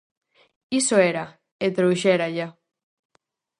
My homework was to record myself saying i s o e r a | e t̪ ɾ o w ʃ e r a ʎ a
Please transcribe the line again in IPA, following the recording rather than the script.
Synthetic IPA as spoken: i s o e ɾ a | e t̪ ɾ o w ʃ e ɾ a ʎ a